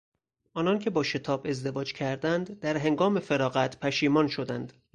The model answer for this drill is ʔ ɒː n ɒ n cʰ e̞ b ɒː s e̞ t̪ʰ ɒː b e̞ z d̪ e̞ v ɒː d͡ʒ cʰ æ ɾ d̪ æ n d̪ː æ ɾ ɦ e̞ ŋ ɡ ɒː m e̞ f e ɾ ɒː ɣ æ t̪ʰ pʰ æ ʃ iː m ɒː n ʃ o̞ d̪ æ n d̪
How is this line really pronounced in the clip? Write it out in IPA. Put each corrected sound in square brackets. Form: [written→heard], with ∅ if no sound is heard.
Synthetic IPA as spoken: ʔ ɒː n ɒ n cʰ e̞ b ɒː [s→ʃ] e̞ t̪ʰ ɒː b e̞ z d̪ e̞ v ɒː d͡ʒ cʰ æ ɾ d̪ æ n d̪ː æ ɾ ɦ e̞ ŋ ɡ ɒː m e̞ f e ɾ ɒː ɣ æ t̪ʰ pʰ æ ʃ iː m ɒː n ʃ o̞ d̪ æ n d̪